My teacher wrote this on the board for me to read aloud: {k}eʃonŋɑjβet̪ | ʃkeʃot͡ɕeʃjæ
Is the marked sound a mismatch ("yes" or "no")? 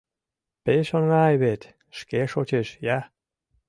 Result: yes